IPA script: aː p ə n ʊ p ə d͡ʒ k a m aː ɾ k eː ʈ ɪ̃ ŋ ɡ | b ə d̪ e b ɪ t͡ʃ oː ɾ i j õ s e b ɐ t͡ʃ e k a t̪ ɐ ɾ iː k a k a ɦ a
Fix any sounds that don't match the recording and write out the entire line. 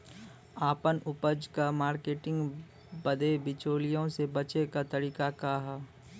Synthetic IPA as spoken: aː p ə n ʊ p ə d͡ʒ k a m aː ɾ k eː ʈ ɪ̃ ŋ ɡ | b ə d̪ e b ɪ t͡ʃ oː l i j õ s e b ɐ t͡ʃ e k a t̪ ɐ ɾ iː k a k a ɦ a